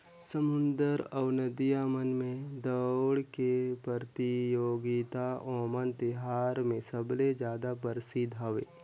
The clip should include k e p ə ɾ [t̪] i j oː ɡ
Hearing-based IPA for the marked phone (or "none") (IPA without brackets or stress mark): t̪